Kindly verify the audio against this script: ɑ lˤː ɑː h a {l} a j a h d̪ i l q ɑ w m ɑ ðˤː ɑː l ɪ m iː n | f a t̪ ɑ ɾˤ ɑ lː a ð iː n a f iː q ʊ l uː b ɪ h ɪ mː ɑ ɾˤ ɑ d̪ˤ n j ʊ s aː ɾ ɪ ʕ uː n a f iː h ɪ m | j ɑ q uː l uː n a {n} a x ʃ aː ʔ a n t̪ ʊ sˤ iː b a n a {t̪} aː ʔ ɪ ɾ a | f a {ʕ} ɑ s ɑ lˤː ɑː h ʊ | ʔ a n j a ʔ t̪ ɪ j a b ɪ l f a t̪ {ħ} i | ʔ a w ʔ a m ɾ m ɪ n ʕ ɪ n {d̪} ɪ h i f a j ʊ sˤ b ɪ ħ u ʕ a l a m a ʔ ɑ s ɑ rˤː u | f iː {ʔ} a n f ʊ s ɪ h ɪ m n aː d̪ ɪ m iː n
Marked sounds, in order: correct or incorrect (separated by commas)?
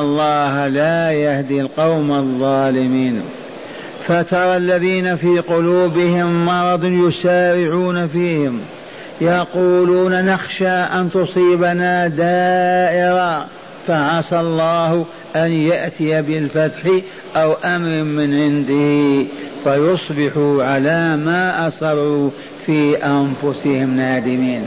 correct, correct, incorrect, correct, correct, correct, correct